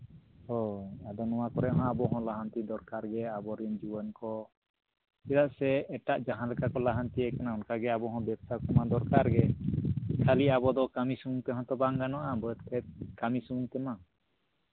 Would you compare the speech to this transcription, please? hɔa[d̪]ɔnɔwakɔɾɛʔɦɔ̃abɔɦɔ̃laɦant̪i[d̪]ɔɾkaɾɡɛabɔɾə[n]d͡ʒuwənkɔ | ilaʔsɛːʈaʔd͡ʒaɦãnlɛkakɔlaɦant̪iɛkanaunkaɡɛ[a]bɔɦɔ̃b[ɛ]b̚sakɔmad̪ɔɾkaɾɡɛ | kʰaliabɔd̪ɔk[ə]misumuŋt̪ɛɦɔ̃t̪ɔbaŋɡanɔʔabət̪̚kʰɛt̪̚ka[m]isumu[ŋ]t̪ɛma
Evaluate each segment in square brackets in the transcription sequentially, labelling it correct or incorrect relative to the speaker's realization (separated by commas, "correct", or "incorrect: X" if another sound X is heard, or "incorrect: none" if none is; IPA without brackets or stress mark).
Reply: correct, correct, correct, correct, correct, incorrect: a, correct, correct